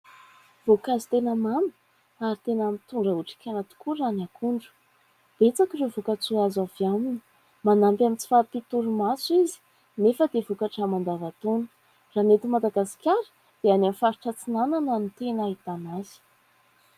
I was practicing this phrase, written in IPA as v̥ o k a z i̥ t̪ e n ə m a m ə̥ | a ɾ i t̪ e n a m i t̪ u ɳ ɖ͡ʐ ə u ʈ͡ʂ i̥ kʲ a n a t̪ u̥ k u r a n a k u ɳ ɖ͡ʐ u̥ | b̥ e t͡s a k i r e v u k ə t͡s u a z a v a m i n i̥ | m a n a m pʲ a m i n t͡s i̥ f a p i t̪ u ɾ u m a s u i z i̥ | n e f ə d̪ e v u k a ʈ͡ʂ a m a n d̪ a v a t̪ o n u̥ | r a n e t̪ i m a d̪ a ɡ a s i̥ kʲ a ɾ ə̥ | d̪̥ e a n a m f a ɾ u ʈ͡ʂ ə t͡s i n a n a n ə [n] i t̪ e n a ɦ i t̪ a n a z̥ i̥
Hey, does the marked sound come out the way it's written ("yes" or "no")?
yes